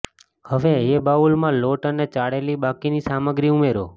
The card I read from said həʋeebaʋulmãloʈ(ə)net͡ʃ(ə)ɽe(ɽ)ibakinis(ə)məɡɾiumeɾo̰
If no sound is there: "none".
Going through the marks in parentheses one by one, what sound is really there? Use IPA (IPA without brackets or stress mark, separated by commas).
ə, a, l, a